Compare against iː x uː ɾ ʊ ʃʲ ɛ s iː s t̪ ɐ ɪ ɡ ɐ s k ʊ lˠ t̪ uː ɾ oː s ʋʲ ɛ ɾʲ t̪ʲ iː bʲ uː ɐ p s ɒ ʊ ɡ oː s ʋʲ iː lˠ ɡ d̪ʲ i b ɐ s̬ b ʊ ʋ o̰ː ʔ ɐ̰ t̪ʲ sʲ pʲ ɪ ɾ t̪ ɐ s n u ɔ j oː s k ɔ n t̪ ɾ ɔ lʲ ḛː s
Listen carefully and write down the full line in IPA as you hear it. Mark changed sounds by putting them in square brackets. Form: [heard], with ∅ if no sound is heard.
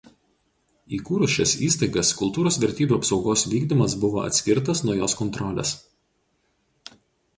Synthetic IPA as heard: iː [k] uː ɾ ʊ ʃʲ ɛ s iː s t̪ ɐ ɪ ɡ ɐ s k ʊ lˠ t̪ uː ɾ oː s ʋʲ ɛ ɾʲ t̪ʲ iː bʲ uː ɐ p s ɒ ʊ ɡ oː s ʋʲ iː [∅] ɡ d̪ʲ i [m] ɐ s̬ b ʊ ʋ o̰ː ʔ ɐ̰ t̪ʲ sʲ [kʲ] ɪ ɾ t̪ ɐ s n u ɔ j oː s k ɔ n t̪ ɾ ɔ lʲ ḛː s